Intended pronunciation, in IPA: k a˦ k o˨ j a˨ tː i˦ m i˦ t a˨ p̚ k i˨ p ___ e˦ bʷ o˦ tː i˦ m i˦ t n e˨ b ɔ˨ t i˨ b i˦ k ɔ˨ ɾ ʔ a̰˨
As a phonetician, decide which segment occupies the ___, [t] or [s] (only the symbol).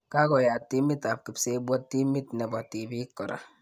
s